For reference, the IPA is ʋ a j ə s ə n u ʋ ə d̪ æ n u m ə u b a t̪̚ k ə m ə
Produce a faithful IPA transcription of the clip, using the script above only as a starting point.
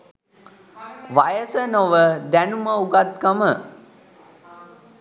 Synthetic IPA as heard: ʋ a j ə s ə n o ʋ ə d̪ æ n u m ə u ɡ a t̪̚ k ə m ə